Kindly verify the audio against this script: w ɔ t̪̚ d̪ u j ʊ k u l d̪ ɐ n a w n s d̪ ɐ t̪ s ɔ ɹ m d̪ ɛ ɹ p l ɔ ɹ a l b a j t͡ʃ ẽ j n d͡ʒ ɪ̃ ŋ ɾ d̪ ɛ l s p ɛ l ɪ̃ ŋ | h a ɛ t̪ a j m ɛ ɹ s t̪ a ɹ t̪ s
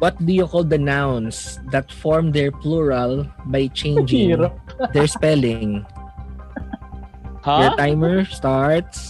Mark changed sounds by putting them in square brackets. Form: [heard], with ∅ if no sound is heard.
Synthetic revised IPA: w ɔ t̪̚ d̪ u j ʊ k [ɔ] l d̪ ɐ n a w n s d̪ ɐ t̪ [f] ɔ ɹ m d̪ ɛ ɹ p l [u] ɹ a l b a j t͡ʃ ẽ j n d͡ʒ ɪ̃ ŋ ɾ d̪ ɛ [ɹ] s p ɛ l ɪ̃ ŋ | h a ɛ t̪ a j m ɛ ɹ s t̪ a ɹ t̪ s